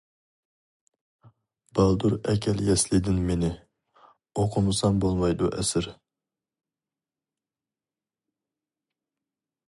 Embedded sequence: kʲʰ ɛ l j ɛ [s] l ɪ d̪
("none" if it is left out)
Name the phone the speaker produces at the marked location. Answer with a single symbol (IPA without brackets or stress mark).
s